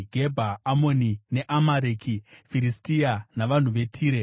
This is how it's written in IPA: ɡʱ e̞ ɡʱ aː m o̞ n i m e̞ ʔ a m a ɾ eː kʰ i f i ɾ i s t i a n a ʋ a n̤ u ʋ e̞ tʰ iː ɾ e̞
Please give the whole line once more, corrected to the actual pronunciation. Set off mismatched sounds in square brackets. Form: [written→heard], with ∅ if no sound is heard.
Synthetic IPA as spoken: ɡʱ e̞ [ɡʱ→bʱ] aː m o̞ n i [m→n] e̞ ʔ a m a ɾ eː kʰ i f i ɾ i s t i a n a ʋ a n̤ u ʋ e̞ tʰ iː ɾ e̞